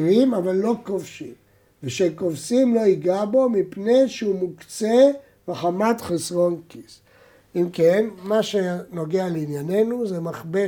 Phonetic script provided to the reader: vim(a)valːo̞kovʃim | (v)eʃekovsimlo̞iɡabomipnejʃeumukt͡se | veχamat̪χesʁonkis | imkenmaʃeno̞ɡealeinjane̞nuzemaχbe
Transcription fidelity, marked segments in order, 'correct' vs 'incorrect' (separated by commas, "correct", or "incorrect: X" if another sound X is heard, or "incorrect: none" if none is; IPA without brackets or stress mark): correct, correct